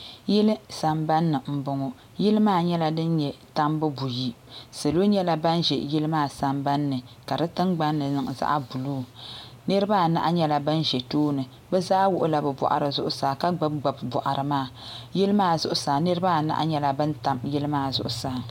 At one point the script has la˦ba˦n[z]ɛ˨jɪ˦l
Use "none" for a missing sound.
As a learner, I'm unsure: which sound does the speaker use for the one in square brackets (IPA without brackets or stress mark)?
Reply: ʒ